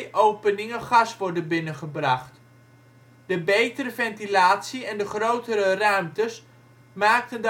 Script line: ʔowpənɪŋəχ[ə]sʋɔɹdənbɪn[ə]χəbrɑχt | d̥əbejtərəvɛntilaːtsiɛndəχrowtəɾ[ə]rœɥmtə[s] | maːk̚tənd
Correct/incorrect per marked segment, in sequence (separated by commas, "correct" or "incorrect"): incorrect, correct, correct, correct